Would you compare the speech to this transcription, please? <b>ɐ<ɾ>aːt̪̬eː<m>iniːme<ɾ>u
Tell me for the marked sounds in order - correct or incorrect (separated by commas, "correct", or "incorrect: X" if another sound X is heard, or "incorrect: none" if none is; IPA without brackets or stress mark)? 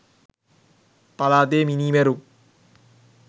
incorrect: p, incorrect: l, correct, correct